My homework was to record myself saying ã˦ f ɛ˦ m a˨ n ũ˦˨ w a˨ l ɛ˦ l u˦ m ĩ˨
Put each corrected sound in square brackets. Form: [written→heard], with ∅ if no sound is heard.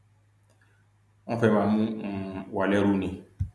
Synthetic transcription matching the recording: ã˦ f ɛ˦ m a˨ [n→m] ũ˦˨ w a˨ l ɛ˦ [l→ɾ] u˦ [m→n] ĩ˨